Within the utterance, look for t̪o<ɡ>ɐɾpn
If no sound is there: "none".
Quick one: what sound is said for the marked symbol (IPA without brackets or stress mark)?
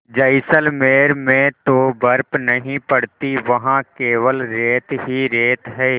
b